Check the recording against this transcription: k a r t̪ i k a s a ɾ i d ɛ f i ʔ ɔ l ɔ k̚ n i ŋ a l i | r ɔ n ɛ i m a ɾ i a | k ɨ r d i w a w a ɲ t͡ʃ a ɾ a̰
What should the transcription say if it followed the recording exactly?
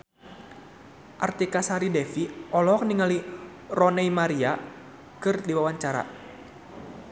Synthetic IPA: ʔ a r t̪ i k a s a ɾ i d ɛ f i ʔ ɔ l ɔ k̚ n i ŋ a l i | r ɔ n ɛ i m a ɾ i a | k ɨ r d i w a w a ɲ t͡ʃ a ɾ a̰